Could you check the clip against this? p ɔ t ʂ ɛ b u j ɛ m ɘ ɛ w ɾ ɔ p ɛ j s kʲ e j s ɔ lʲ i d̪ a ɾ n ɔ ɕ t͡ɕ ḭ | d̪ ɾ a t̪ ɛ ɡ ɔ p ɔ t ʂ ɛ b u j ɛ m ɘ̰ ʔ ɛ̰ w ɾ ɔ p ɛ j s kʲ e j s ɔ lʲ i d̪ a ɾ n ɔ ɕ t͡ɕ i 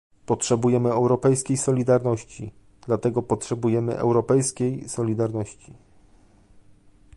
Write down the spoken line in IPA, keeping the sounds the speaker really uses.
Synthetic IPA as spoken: p ɔ t ʂ ɛ b u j ɛ m ɘ ɛ w ɾ ɔ p ɛ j s kʲ e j s ɔ lʲ i d̪ a ɾ n ɔ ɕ t͡ɕ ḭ | d̪ l a t̪ ɛ ɡ ɔ p ɔ t ʂ ɛ b u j ɛ m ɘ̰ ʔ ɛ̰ w ɾ ɔ p ɛ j s kʲ e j s ɔ lʲ i d̪ a ɾ n ɔ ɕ t͡ɕ i